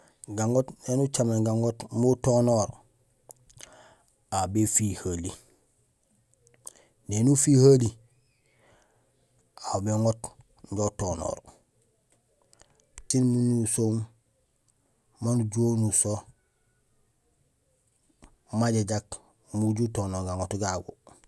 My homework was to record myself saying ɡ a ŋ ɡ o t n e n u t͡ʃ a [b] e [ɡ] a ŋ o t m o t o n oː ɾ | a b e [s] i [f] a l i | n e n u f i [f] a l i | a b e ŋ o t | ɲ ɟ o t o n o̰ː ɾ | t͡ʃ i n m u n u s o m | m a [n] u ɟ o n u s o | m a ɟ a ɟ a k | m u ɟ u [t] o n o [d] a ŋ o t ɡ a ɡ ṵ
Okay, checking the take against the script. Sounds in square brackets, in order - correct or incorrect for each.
incorrect, correct, incorrect, incorrect, incorrect, correct, correct, incorrect

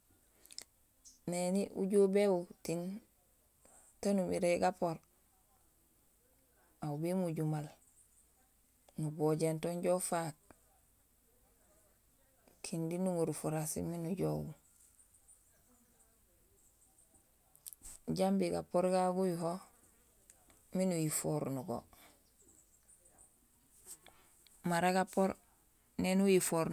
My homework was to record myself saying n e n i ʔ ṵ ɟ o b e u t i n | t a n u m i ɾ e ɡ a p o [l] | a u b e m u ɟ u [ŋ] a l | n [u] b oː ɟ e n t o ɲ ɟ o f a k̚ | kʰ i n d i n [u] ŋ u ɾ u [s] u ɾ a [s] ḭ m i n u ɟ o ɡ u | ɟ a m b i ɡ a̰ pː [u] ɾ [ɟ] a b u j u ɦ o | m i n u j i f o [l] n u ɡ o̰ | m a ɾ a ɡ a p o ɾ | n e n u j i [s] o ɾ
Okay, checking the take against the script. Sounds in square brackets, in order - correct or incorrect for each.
incorrect, incorrect, correct, correct, incorrect, correct, incorrect, incorrect, incorrect, incorrect

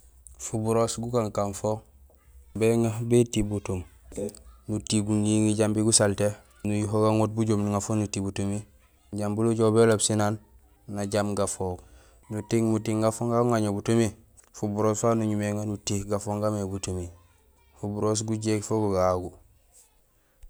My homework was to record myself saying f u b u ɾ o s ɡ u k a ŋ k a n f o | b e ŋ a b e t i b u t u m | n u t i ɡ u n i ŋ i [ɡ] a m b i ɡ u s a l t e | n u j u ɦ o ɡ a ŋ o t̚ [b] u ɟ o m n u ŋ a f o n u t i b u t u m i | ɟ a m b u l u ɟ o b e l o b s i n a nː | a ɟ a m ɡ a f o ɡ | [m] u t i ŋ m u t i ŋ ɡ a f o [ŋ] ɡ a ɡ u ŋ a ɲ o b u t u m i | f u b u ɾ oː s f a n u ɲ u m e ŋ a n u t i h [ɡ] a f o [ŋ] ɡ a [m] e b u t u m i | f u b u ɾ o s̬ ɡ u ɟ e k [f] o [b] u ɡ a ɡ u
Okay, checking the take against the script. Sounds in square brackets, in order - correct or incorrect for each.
incorrect, correct, incorrect, correct, correct, correct, correct, correct, incorrect

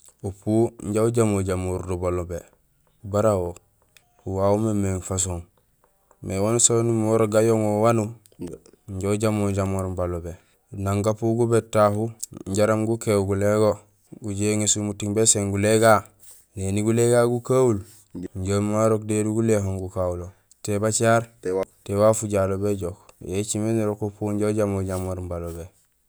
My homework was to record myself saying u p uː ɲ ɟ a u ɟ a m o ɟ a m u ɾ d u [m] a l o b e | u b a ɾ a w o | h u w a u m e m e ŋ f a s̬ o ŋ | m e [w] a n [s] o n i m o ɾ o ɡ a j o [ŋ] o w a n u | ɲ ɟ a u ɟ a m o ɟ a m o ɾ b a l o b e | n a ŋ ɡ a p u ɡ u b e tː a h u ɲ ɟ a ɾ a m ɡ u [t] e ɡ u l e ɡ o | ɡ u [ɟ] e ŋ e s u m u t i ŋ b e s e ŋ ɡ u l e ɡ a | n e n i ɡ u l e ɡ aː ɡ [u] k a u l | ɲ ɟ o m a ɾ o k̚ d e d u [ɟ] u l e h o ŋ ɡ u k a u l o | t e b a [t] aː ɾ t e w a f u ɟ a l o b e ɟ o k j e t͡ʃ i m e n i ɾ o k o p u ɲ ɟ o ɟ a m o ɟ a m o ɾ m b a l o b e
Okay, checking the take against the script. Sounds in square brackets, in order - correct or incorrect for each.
incorrect, correct, correct, correct, incorrect, correct, correct, incorrect, incorrect

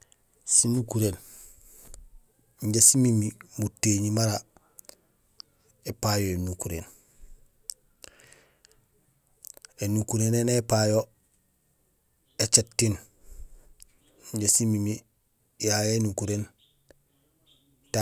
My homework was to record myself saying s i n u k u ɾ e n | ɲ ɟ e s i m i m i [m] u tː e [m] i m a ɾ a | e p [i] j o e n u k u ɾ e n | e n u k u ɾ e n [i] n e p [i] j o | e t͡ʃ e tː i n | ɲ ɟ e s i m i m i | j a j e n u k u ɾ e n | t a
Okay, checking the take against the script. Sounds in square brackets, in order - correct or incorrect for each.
correct, incorrect, incorrect, incorrect, incorrect

